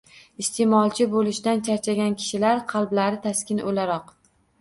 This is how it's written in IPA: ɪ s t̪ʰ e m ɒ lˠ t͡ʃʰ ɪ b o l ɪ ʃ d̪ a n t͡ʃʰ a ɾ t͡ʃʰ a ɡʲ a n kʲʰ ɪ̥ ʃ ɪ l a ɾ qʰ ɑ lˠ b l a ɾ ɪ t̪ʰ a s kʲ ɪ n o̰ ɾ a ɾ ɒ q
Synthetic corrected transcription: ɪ s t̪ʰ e m ɒ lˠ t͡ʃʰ ɪ b o l ɪ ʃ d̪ a n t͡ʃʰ a ɾ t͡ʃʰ a ɡʲ a n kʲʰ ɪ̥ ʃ ɪ l a ɾ qʰ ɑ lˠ b l a ɾ ɪ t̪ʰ a s kʲ ɪ n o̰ l a ɾ ɒ q